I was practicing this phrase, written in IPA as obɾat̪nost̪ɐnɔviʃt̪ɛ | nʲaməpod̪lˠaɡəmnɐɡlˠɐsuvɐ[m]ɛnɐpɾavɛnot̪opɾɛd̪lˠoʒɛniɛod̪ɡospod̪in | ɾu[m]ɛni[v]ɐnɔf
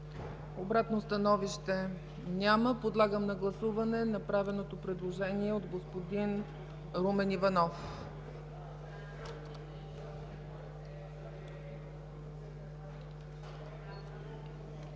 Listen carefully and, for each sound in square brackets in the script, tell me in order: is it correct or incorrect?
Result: incorrect: n, correct, correct

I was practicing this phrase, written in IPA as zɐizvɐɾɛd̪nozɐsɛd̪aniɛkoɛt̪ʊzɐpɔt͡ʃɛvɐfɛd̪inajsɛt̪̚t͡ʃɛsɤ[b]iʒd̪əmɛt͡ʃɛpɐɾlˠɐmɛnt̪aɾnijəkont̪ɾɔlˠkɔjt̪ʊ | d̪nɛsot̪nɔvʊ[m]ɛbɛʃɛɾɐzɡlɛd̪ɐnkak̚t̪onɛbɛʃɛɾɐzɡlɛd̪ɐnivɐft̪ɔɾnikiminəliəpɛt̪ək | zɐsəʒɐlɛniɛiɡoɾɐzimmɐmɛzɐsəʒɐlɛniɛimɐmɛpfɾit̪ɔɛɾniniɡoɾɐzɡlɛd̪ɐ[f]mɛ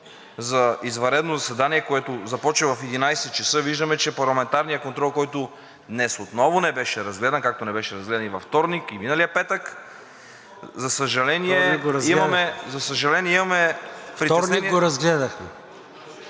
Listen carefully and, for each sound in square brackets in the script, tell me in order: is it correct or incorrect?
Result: incorrect: v, incorrect: n, incorrect: x

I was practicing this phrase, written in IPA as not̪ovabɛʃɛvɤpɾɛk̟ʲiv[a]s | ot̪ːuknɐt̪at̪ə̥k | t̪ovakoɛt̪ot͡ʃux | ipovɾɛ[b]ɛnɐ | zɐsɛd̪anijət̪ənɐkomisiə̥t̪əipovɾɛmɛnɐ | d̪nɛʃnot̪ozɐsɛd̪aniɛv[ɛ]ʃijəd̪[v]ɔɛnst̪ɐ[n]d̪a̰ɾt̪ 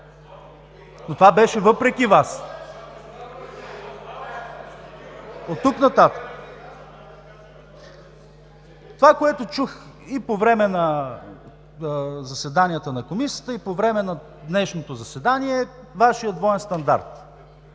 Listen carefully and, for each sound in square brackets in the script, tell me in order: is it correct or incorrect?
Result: correct, incorrect: m, incorrect: a, correct, correct

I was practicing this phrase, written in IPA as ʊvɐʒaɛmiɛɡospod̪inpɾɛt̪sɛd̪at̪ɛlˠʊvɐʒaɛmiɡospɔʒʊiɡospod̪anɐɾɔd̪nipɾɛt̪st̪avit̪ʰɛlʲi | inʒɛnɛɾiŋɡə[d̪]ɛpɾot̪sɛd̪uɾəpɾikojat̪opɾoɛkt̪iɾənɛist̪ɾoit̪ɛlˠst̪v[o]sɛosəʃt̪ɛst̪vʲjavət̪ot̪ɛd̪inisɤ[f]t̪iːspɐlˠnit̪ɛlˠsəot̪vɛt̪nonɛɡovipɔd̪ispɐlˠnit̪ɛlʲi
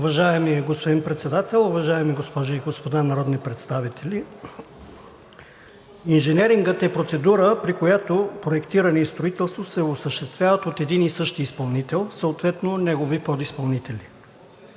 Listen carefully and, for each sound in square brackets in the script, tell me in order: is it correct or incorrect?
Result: incorrect: t̪, correct, incorrect: ʃ

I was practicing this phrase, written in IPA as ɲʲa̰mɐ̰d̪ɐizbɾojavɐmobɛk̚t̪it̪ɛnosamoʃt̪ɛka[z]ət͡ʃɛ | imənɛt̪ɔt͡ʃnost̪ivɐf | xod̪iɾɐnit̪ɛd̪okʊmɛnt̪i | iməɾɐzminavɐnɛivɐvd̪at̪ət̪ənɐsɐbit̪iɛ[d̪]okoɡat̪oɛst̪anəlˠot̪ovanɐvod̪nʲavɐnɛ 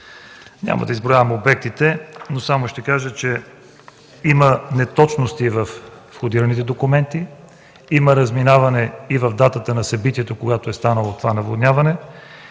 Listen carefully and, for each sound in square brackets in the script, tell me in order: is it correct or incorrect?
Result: incorrect: ʒ, incorrect: t̪

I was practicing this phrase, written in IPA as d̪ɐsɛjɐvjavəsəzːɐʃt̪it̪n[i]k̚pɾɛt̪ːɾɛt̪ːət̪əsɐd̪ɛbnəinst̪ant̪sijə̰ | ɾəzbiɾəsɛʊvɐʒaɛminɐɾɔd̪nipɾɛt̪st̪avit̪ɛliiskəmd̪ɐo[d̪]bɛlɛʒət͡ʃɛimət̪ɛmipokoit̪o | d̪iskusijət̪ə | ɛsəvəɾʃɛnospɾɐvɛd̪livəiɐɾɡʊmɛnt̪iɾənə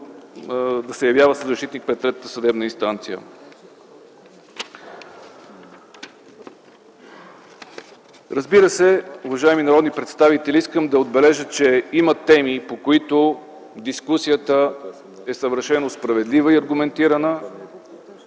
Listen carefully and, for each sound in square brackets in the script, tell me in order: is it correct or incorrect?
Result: correct, correct

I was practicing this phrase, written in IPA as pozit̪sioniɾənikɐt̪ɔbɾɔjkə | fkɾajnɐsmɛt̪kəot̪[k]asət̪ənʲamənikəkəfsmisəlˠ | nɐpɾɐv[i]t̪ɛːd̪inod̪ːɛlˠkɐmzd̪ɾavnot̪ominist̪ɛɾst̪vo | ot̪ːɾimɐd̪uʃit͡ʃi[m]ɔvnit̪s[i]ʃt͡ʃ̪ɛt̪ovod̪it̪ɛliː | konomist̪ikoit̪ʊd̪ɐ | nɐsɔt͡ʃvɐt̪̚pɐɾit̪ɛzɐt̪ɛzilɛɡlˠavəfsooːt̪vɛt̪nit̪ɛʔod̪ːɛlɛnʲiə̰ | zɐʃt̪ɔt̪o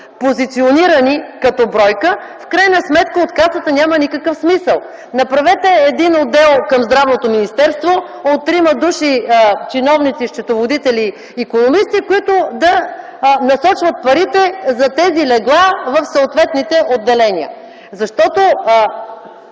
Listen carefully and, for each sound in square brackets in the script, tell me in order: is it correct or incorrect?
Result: correct, incorrect: ɛ, incorrect: n, correct

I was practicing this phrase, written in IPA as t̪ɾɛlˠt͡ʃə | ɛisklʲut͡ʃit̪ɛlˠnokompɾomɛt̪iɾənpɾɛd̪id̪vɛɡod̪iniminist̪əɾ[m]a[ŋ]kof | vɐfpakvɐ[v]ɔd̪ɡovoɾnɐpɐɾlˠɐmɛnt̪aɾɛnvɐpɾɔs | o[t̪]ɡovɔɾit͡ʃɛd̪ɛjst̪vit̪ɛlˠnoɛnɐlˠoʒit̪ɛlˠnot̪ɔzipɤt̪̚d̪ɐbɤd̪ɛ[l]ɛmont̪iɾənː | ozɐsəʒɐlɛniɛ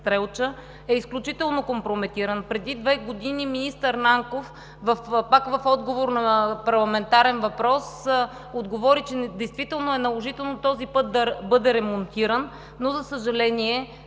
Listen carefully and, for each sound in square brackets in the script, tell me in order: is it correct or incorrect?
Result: incorrect: n, correct, incorrect: f, incorrect: d̪, incorrect: ɾ

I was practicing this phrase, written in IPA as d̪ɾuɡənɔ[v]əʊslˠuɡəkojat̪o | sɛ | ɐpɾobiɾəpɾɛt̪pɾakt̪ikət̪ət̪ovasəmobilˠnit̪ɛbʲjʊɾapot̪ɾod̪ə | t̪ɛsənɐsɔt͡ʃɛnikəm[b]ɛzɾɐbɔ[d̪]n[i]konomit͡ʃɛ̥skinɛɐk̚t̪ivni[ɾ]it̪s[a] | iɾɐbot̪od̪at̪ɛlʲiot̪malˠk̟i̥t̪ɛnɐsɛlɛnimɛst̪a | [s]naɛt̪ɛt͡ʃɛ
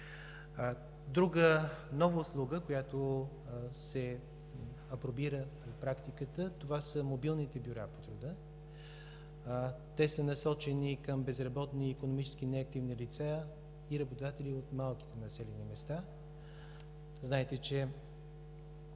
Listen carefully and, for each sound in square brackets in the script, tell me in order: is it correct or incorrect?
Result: correct, correct, incorrect: t̪, incorrect: iː, incorrect: l, correct, incorrect: z

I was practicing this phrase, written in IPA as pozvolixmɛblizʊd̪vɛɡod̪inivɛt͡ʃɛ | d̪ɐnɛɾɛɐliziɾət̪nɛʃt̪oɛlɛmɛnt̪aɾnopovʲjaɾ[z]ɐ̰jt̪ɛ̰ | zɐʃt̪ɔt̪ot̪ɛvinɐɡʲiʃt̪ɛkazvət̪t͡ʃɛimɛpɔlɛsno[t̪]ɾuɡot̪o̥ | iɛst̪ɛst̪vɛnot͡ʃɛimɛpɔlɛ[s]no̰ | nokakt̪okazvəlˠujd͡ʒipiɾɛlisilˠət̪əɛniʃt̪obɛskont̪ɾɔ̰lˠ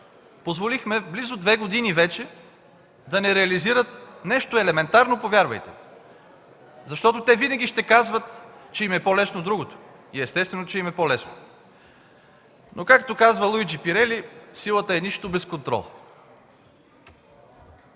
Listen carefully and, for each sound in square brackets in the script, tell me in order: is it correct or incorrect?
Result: incorrect: v, incorrect: d̪, correct

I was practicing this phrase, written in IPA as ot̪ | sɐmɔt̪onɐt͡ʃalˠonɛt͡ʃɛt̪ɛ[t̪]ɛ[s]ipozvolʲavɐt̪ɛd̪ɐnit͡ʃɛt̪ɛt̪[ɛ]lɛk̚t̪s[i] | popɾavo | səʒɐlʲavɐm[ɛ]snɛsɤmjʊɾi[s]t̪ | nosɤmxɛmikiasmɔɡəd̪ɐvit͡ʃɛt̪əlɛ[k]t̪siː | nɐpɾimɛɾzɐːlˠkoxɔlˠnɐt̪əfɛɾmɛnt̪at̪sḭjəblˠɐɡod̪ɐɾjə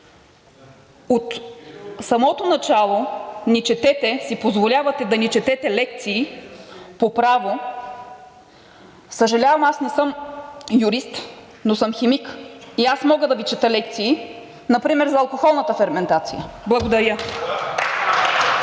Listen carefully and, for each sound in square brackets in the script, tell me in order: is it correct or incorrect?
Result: correct, correct, correct, incorrect: iː, incorrect: a, correct, correct

